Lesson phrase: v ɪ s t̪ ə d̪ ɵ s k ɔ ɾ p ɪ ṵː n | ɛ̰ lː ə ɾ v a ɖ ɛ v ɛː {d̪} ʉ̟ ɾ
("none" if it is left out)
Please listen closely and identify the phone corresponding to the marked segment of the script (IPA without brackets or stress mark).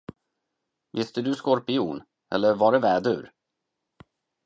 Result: d̪